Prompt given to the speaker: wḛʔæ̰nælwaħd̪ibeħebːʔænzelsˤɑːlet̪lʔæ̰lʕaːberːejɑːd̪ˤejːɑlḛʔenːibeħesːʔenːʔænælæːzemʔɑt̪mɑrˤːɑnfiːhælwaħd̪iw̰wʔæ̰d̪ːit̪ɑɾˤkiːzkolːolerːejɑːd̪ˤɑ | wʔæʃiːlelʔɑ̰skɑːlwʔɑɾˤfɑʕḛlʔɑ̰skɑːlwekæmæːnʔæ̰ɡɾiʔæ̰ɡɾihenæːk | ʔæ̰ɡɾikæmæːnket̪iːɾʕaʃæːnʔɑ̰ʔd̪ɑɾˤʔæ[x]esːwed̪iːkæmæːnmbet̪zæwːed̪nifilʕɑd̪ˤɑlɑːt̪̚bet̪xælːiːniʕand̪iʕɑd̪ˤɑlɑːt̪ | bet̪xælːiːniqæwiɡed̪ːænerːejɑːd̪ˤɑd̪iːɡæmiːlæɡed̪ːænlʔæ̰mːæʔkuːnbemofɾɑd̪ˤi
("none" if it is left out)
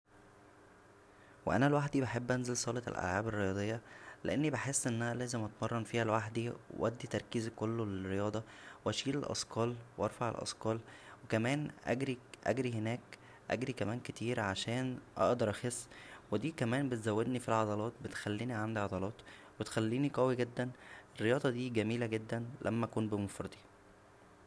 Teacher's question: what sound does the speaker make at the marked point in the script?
x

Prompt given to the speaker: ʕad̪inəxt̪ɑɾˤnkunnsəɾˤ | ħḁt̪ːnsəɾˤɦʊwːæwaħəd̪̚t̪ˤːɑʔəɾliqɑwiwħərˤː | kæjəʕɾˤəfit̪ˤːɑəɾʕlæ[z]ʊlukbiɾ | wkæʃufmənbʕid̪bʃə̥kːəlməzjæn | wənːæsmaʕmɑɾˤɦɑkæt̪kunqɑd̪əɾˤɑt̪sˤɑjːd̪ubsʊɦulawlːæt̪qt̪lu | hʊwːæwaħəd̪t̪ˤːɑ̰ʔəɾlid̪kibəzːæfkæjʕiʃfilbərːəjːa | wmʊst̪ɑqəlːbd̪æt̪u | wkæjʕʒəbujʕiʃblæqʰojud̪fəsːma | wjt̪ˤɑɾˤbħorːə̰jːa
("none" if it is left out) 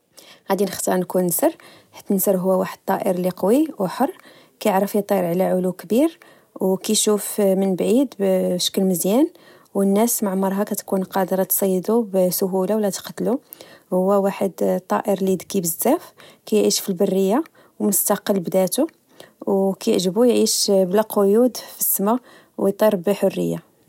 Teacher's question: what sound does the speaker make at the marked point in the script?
ʕ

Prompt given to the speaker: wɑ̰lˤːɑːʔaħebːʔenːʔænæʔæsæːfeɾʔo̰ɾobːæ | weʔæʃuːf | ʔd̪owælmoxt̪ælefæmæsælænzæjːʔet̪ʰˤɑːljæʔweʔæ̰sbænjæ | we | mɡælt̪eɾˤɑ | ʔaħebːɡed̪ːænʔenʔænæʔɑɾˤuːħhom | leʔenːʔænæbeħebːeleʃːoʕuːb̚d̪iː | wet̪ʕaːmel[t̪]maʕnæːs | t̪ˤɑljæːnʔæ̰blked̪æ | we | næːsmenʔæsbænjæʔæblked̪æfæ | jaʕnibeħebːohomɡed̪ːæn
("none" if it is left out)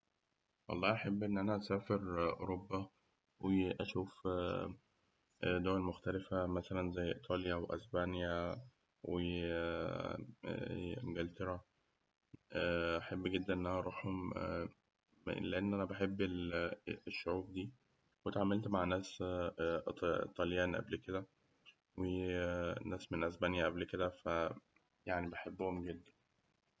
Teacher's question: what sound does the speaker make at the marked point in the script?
t̪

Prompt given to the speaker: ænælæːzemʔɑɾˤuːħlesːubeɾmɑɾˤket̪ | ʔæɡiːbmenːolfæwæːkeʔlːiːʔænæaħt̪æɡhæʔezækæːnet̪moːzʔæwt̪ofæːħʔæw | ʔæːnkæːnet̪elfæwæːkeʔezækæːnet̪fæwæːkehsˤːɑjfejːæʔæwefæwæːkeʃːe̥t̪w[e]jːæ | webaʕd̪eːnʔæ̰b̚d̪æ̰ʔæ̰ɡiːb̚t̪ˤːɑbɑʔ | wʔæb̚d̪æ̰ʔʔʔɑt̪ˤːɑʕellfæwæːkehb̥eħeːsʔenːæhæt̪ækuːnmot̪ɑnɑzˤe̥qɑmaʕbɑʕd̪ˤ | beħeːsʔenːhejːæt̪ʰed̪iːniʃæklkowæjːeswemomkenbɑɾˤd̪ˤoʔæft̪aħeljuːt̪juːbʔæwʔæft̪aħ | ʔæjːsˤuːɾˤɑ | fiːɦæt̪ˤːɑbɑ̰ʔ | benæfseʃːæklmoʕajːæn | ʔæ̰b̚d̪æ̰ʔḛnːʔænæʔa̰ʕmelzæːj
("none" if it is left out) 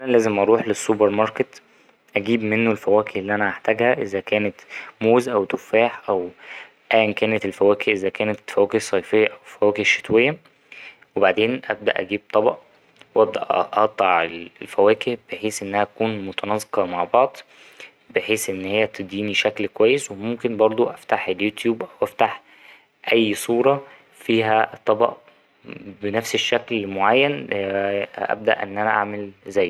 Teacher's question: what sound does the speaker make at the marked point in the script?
e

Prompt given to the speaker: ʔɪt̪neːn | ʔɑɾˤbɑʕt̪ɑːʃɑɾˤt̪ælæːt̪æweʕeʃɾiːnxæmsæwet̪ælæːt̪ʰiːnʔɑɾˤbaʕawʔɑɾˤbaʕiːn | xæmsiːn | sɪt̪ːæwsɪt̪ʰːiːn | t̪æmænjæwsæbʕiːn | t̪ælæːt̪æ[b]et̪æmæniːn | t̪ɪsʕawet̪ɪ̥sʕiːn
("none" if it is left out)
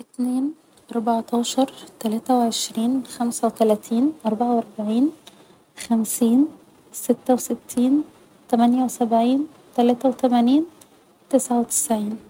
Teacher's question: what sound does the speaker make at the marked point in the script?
w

